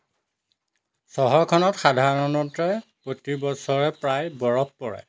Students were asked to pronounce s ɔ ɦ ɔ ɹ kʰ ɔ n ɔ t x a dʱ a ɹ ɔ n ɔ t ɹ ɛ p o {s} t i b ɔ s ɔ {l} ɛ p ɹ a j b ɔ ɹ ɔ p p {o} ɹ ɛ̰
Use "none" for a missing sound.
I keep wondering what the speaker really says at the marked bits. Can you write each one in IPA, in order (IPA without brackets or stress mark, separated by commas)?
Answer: none, ɹ, ɔ